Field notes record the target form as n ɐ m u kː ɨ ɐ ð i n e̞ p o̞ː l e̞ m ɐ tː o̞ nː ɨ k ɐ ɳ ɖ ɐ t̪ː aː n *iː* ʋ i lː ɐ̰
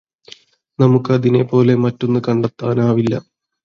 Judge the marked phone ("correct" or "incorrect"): incorrect